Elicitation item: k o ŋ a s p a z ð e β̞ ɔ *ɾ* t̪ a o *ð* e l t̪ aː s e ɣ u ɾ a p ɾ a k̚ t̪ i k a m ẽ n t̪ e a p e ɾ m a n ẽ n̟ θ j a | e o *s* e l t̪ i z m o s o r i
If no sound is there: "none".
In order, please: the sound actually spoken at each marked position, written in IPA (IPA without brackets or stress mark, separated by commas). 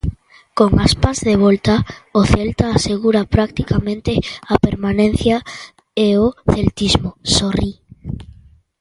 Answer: l, θ, θ